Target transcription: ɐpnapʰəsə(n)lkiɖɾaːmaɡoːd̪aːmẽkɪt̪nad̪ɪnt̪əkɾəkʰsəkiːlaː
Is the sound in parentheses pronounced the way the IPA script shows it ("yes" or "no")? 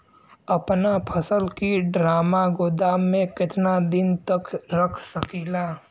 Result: no